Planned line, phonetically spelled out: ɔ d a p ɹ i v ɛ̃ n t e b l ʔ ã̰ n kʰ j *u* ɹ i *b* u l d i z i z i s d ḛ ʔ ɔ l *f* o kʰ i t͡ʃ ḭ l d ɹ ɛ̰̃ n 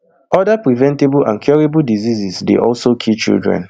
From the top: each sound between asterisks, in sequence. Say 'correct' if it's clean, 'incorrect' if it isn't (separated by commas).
incorrect, correct, incorrect